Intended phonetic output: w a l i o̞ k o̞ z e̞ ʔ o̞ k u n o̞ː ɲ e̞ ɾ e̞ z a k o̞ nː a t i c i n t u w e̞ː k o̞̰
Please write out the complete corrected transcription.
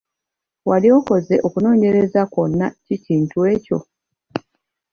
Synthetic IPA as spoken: w a l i o̞ k o̞ z e̞ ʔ o̞ k u n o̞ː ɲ e̞ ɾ e̞ z a k o̞ nː a c i c iː n t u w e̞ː c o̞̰